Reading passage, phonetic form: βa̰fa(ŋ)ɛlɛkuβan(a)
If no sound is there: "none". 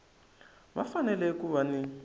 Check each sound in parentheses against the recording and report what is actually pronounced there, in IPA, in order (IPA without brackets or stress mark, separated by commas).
n, i